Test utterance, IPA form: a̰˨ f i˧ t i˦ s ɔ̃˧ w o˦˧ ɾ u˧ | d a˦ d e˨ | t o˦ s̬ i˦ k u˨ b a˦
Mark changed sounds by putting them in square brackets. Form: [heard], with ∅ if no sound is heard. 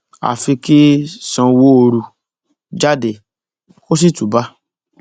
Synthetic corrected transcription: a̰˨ f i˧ [k] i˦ s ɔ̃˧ w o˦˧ ɾ u˧ | [d͡ʒ] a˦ d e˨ | [k] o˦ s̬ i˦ [t] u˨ b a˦